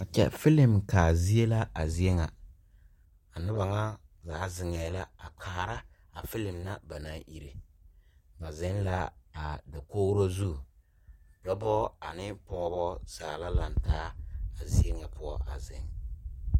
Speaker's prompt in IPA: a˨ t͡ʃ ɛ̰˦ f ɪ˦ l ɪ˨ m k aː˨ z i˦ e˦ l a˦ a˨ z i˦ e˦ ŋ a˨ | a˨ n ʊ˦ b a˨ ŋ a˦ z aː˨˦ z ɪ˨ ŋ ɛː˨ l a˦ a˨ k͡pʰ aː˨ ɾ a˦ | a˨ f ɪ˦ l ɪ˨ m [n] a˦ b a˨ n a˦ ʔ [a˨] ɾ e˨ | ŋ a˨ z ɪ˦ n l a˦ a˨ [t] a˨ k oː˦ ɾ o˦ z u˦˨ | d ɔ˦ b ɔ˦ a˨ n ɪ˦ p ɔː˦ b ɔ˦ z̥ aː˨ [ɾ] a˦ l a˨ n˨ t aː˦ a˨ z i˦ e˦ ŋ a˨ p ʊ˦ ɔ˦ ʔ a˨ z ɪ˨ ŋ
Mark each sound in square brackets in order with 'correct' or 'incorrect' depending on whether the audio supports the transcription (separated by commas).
correct, incorrect, incorrect, incorrect